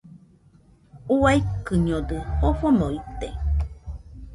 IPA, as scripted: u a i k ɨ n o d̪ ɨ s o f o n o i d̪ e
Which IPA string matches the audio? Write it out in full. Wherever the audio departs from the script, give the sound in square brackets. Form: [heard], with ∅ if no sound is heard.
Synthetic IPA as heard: u a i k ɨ [ɲ] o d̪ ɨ [h] o f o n o i [t̪] e